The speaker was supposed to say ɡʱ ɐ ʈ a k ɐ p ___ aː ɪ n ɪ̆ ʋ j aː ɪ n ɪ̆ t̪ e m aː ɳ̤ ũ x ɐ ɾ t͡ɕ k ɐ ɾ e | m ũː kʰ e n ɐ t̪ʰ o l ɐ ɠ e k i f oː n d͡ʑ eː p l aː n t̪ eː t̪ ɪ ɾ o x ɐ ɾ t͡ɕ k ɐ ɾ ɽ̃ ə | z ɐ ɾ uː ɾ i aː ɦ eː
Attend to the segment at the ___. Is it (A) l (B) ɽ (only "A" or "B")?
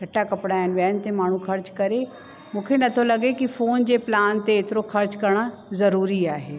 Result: B